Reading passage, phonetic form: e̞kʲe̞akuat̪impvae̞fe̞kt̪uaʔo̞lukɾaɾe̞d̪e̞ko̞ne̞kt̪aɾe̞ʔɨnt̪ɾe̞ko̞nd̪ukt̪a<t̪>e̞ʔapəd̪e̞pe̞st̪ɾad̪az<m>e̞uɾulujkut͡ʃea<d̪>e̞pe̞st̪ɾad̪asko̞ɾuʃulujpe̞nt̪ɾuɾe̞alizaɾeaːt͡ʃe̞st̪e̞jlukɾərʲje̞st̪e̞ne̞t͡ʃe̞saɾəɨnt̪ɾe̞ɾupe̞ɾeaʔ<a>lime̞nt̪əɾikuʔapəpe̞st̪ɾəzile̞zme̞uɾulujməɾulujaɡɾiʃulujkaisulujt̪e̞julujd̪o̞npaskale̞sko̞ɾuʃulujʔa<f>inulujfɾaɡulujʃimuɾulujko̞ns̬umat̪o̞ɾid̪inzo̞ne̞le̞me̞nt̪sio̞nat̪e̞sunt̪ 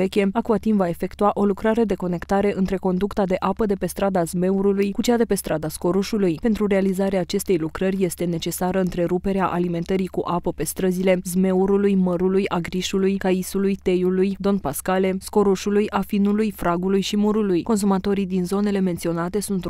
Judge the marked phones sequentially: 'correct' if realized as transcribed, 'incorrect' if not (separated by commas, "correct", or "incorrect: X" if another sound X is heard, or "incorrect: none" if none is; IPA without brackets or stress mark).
incorrect: d̪, correct, correct, correct, correct